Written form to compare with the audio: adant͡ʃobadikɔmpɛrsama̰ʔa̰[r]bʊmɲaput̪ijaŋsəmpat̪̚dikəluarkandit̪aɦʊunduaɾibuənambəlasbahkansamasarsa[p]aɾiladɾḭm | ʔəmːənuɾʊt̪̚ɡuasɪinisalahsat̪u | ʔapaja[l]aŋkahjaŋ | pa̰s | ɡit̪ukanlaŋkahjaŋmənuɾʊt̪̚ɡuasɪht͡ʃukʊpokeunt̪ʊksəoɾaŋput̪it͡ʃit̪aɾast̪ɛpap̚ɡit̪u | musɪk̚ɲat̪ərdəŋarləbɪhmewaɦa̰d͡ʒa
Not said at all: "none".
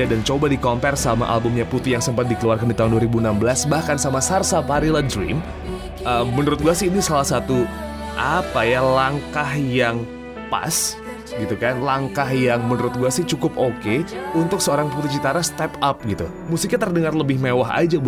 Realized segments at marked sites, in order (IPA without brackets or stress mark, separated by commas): l, p, l